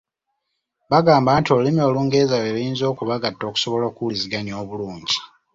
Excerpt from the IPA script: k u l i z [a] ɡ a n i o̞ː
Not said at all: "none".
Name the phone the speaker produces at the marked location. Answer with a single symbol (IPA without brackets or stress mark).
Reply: i